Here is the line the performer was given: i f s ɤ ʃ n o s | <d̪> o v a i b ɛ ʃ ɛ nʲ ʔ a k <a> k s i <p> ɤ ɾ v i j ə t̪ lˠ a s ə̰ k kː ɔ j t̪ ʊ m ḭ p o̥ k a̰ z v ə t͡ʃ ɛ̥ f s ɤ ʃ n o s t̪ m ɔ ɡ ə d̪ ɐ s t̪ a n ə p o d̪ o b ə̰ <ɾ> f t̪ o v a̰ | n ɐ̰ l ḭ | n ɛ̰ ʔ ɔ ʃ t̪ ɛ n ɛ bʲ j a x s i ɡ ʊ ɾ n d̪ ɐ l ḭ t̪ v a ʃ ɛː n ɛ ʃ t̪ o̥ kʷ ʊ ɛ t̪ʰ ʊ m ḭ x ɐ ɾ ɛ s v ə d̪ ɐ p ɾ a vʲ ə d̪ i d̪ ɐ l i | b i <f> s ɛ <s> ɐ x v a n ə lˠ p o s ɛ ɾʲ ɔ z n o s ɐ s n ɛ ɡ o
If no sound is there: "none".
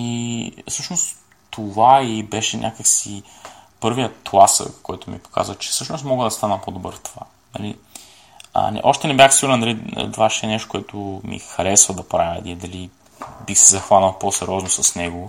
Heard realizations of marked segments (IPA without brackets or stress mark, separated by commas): t̪, ə, p, ɾ, x, z